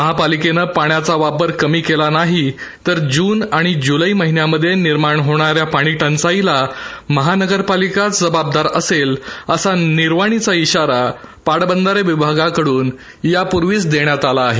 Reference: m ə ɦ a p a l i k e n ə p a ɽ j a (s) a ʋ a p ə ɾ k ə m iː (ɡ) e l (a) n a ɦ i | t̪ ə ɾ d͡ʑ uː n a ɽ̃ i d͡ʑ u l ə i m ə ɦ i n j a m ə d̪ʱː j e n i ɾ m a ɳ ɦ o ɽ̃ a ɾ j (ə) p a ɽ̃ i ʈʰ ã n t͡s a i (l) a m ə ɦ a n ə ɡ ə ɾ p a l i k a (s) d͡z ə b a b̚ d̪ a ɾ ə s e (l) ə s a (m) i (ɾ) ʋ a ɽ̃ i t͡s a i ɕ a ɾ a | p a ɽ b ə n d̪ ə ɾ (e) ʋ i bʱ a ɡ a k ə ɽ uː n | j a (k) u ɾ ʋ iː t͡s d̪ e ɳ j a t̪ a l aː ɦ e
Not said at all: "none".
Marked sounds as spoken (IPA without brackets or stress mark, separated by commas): t͡s, k, a, a, l, t͡s, l, n, ɾ, e, p